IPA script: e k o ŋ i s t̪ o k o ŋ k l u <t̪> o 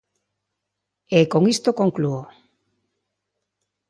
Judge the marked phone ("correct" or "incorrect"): incorrect